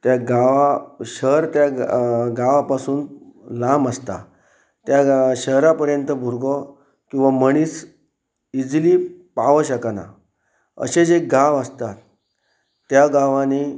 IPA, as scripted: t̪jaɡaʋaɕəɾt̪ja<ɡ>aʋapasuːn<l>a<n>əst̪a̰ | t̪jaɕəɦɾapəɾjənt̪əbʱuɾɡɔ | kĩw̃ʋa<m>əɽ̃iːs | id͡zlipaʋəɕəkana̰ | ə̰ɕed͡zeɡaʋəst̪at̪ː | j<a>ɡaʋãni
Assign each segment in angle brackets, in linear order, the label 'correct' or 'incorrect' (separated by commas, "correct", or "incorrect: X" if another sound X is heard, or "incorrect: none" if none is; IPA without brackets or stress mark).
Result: correct, correct, incorrect: m, correct, correct